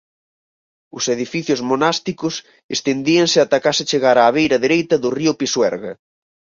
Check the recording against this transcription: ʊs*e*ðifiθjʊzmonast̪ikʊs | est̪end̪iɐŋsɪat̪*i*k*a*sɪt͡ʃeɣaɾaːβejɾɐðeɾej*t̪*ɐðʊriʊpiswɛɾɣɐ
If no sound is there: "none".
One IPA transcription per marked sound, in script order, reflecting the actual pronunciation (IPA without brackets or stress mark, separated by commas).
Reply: e, a, a, t̪